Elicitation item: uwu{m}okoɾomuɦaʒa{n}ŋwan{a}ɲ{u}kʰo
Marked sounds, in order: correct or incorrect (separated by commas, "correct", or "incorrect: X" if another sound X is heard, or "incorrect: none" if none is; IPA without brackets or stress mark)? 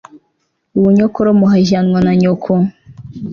incorrect: ɲ, correct, correct, incorrect: o